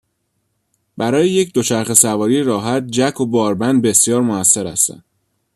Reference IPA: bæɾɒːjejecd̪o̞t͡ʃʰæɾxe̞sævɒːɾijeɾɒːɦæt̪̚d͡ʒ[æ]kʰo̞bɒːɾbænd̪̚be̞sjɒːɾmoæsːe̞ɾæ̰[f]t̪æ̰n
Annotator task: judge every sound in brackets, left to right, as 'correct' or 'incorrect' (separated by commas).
correct, incorrect